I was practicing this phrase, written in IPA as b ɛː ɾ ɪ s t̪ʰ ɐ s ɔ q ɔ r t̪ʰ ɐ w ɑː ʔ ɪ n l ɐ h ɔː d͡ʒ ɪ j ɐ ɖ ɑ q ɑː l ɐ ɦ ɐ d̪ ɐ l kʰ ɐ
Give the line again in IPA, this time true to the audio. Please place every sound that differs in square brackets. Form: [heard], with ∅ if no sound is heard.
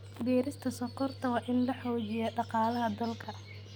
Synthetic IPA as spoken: b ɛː ɾ ɪ s t̪ʰ ɐ s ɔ q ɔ r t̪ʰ ɐ w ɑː ʔ ɪ n l ɐ [ħ] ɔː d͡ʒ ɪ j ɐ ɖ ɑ q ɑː l ɐ ɦ ɐ d̪ ɐ l kʰ ɐ